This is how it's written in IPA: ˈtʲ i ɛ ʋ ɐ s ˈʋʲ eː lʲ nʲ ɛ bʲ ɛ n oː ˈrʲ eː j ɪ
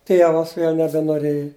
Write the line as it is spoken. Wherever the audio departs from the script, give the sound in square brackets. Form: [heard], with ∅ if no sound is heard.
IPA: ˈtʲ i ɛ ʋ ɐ s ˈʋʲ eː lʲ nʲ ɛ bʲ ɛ n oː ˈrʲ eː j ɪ